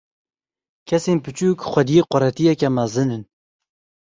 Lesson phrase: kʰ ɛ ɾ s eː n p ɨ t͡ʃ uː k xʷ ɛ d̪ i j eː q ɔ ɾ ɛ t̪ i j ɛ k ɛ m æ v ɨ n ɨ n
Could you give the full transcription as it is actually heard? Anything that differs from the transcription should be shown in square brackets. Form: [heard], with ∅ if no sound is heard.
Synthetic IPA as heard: kʰ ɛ [∅] s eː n p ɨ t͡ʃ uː k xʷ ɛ d̪ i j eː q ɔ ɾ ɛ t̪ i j ɛ k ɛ m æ [z] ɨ n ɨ n